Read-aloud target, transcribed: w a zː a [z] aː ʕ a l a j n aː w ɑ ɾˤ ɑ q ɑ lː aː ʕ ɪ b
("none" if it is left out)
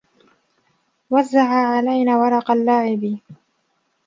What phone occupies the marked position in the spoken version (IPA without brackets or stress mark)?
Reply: ʕ